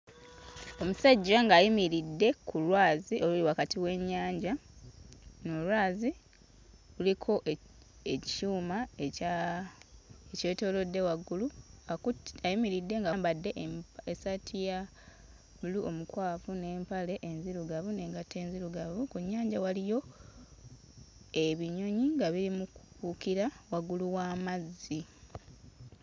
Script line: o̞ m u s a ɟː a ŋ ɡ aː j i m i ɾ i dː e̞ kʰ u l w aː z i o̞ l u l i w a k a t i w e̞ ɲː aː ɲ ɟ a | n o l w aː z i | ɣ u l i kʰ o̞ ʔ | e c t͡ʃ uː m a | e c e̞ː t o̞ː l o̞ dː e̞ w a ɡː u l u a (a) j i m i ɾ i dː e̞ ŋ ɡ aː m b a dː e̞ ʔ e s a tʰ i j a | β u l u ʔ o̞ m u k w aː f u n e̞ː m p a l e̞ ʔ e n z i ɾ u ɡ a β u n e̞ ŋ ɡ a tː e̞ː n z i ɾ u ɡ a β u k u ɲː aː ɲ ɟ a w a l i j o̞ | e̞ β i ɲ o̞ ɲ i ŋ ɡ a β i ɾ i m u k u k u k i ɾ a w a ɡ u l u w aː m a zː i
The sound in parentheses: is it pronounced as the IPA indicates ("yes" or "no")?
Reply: yes